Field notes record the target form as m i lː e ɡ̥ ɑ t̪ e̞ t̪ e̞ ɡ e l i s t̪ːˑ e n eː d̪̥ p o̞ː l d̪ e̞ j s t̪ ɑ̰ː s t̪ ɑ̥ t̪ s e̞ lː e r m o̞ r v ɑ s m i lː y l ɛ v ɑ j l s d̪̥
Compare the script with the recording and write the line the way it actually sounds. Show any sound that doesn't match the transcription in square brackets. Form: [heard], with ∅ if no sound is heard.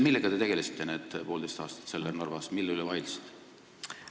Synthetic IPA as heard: m i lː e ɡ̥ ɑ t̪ e̞ t̪ e̞ ɡ e l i s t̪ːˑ e n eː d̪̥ p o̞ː l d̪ e̞ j s t̪ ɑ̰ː s t̪ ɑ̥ t̪ s e̞ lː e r [n] o̞ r v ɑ s m i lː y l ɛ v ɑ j l s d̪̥